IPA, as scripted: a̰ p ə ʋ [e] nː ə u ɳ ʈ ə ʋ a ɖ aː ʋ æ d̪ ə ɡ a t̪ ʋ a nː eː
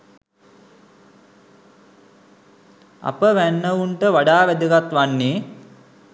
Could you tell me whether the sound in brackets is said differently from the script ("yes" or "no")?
yes